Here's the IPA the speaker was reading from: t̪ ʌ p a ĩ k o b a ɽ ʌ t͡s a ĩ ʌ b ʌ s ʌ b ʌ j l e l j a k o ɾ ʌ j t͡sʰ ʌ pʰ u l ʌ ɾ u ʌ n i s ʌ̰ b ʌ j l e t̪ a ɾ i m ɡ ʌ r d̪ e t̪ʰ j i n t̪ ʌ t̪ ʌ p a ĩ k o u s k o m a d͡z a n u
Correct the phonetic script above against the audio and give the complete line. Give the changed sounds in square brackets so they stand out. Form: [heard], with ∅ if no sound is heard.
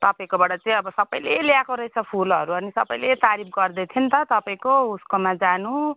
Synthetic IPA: t̪ ʌ p a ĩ k o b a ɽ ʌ t͡s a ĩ ʌ b ʌ s ʌ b ʌ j l e l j a k o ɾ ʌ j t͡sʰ ʌ pʰ u l ʌ ɾ u ʌ n i s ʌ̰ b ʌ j l e t̪ a ɾ i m ɡ ʌ r d̪ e t̪ʰ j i n t̪ ʌ t̪ ʌ p a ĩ k o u s k o m a d͡z a n u